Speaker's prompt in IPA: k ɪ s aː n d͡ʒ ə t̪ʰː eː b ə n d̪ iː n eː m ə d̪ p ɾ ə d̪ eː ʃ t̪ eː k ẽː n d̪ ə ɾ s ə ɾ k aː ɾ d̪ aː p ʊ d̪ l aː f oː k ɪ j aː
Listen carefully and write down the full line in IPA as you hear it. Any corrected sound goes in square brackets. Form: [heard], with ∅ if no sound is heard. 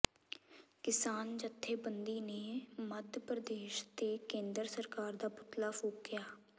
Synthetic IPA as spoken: k ɪ s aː n d͡ʒ ə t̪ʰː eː b ə n d̪ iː n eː m ə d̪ p ɾ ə d̪ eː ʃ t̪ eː k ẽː n d̪ ə ɾ s ə ɾ k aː ɾ d̪ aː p ʊ [t̪] l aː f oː k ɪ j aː

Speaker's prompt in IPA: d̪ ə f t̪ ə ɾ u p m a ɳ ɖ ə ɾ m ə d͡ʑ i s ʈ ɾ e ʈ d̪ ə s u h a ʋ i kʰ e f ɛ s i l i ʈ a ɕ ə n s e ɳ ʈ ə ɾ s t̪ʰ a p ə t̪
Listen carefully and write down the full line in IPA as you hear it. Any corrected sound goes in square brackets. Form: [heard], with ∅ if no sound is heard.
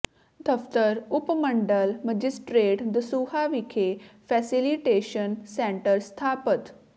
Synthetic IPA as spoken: d̪ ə f t̪ ə ɾ u p m [ə] ɳ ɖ ə [l] m ə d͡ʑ i s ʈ ɾ e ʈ d̪ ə s u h a ʋ i kʰ e f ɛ s i l i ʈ [e] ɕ ə n s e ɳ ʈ ə ɾ s t̪ʰ a p ə t̪

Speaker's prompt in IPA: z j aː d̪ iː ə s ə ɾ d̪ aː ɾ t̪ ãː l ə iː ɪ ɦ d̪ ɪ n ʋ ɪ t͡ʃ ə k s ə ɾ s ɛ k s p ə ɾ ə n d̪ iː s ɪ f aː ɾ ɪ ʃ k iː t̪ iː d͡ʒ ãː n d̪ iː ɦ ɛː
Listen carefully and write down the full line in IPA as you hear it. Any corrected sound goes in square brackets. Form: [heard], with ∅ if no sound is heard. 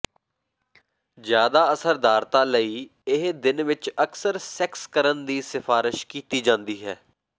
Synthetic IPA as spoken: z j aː d̪ [aː] ə s ə ɾ d̪ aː ɾ t̪ [aː] l ə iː ɪ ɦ d̪ ɪ n ʋ ɪ t͡ʃ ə k s ə ɾ s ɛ k s [k] ə ɾ ə n d̪ iː s ɪ f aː ɾ ɪ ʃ k iː t̪ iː d͡ʒ ãː n d̪ iː ɦ ɛː

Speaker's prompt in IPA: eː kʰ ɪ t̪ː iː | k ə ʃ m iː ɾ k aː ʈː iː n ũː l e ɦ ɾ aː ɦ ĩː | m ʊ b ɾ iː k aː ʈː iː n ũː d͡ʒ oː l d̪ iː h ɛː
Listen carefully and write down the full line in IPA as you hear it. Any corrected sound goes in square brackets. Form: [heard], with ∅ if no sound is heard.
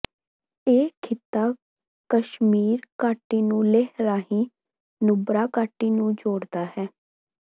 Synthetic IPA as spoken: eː kʰ ɪ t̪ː [aː] | k ə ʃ m iː ɾ k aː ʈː iː n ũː l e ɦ ɾ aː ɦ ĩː | [n] ʊ b ɾ [aː] k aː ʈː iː n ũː d͡ʒ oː [ɽ] d̪ [aː] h ɛː

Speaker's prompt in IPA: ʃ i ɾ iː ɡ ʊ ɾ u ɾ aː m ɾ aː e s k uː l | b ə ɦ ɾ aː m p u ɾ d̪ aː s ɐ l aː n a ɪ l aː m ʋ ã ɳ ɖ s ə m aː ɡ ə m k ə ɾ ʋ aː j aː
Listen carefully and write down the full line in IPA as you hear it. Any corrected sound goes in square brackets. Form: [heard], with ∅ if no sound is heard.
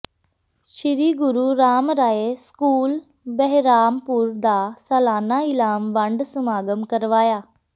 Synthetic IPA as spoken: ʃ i ɾ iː ɡ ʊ ɾ u ɾ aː m ɾ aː e s k uː l | b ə ɦ ɾ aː m p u ɾ d̪ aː s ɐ l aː n a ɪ l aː m ʋ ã ɳ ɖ s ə m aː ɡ ə m k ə ɾ ʋ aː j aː

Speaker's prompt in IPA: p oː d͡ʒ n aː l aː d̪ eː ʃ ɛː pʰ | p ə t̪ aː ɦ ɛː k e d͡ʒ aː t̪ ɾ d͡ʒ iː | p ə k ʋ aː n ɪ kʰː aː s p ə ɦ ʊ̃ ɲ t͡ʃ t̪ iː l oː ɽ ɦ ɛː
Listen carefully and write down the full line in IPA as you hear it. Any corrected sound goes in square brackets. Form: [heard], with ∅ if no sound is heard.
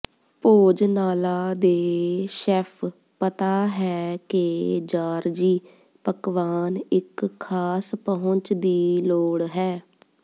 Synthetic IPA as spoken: p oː d͡ʒ n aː l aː d̪ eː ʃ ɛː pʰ | p ə t̪ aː ɦ ɛː k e d͡ʒ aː [∅] ɾ d͡ʒ iː | p ə k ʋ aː n ɪ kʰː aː s p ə ɦ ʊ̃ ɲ t͡ʃ [d̪] iː l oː ɽ ɦ ɛː

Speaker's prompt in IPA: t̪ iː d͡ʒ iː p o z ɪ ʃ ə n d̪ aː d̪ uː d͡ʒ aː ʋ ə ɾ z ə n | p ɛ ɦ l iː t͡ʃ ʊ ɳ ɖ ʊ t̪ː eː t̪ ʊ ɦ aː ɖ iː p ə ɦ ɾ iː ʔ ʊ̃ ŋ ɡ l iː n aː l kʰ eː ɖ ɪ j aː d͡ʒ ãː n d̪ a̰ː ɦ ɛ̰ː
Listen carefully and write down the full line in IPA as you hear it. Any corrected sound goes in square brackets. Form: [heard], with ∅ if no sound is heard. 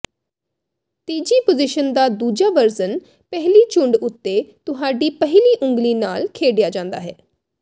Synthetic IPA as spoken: t̪ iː d͡ʒ iː p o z ɪ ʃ ə n d̪ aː d̪ uː d͡ʒ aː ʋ ə ɾ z ə n | p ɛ ɦ l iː t͡ʃ ʊ ɳ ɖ ʊ t̪ː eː t̪ ʊ ɦ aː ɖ iː p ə ɦ [l] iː ʔ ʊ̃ ŋ ɡ l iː n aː l kʰ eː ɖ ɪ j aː d͡ʒ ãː n d̪ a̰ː ɦ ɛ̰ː

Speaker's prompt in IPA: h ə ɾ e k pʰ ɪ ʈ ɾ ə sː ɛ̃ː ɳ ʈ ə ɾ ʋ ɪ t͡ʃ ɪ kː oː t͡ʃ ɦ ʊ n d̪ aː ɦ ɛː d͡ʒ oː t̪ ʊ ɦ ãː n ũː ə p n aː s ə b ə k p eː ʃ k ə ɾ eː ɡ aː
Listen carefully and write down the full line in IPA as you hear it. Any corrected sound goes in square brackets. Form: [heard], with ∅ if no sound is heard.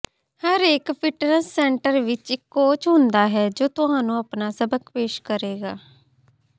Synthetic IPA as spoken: h ə ɾ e k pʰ ɪ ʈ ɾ ə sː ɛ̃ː ɳ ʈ ə ɾ ʋ ɪ t͡ʃ ɪ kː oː t͡ʃ ɦ ʊ n d̪ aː ɦ ɛː d͡ʒ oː t̪ ʊ ɦ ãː n ũː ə p n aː s ə b ə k p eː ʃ k ə ɾ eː ɡ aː

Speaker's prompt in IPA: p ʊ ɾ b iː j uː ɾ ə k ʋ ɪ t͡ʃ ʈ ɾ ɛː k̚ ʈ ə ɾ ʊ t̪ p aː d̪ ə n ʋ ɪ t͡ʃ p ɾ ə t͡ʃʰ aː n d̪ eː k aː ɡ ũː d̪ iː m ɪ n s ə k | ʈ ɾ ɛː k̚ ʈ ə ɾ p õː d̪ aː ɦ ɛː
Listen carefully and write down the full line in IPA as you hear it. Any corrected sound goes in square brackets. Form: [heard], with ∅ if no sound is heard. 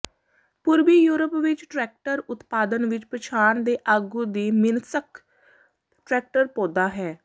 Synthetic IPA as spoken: p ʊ ɾ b iː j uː ɾ ə [p] ʋ ɪ t͡ʃ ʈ ɾ ɛː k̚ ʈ ə ɾ ʊ t̪ p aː d̪ ə n ʋ ɪ t͡ʃ p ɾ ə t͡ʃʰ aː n d̪ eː [ʔ] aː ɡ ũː d̪ iː m ɪ n s ə k | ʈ ɾ ɛː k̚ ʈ ə ɾ p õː d̪ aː ɦ ɛː

